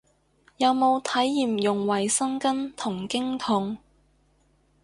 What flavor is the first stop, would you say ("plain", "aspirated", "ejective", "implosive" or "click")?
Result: aspirated